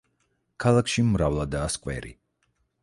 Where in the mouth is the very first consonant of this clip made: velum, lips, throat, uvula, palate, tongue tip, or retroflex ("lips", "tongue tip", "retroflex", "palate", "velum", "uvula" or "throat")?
velum